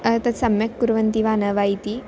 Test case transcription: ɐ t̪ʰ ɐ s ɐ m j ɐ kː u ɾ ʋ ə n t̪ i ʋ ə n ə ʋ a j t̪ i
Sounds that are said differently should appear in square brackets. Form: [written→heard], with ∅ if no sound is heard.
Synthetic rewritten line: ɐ [t̪ʰ→t̪] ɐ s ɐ m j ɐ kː u ɾ ʋ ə n t̪ i ʋ [ə→a] n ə ʋ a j t̪ i